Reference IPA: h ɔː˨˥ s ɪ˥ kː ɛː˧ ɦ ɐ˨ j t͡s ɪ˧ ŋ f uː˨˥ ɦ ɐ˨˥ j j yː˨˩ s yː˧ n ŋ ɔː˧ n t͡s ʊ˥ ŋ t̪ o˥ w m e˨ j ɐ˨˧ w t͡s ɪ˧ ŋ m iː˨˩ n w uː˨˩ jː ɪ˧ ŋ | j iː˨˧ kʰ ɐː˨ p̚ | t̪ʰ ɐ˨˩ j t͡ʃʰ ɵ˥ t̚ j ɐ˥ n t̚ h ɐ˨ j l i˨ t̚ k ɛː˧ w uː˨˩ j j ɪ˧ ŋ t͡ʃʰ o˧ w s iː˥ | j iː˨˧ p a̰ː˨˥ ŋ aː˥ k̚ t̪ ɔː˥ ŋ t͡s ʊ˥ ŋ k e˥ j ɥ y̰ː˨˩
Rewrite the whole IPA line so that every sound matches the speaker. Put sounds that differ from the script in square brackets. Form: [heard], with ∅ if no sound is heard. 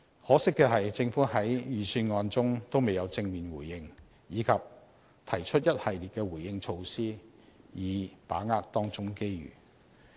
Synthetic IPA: h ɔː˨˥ s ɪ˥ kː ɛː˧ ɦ ɐ˨ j t͡s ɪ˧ ŋ f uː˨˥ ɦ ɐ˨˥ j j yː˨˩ s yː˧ n ŋ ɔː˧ n t͡s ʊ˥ ŋ t̪ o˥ w m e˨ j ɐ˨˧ w t͡s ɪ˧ ŋ m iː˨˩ n w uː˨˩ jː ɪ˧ ŋ | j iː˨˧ kʰ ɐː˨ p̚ | t̪ʰ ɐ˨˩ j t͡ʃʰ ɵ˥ t̚ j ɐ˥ [∅] t̚ h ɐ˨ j l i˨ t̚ k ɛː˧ w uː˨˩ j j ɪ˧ ŋ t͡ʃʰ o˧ w s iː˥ | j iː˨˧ p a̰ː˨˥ ŋ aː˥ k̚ t̪ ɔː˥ ŋ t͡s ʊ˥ ŋ k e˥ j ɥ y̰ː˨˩